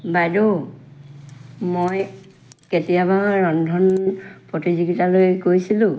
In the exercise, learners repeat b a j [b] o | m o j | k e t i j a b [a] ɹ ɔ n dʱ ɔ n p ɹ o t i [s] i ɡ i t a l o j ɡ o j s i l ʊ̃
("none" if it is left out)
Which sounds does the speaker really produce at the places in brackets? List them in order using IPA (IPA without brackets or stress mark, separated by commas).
d, a, z